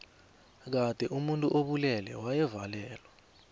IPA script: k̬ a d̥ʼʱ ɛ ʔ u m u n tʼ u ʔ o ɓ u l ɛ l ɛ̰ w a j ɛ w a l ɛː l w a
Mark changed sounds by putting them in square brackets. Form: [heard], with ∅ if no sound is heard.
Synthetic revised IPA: k̬ a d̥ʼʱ ɛ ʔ u m u n tʼ u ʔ o ɓ u l ɛ l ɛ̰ w a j ɛ [v] a l ɛː l w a